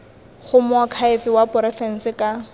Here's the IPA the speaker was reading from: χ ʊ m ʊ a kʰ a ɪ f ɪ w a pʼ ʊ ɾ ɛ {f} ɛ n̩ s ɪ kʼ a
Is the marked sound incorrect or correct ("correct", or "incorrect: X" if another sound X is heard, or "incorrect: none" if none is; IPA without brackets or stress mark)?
correct